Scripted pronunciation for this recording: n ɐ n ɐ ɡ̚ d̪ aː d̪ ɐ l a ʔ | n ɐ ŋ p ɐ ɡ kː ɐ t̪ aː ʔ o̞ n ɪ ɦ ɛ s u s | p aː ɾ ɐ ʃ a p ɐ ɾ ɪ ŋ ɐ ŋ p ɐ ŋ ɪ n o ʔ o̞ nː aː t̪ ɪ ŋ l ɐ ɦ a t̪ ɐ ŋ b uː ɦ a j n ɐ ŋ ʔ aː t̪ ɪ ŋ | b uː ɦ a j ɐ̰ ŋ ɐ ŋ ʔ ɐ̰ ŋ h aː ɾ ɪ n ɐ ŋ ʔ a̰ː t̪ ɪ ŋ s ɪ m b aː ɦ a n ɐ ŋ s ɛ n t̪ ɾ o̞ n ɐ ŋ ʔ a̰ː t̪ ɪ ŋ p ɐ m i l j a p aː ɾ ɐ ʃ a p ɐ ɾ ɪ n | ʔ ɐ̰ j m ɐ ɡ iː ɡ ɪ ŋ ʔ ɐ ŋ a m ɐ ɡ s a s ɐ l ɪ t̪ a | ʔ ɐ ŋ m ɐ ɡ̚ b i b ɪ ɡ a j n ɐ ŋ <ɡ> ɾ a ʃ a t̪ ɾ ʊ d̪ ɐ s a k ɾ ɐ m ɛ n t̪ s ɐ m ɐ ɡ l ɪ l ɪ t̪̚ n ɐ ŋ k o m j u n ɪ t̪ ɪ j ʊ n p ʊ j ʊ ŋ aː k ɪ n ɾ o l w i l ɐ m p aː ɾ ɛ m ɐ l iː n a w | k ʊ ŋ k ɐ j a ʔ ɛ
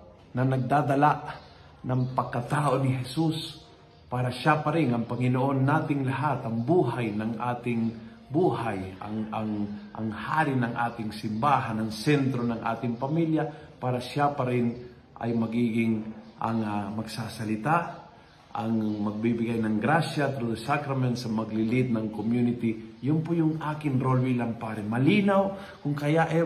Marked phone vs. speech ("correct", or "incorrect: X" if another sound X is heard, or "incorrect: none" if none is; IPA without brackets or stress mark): correct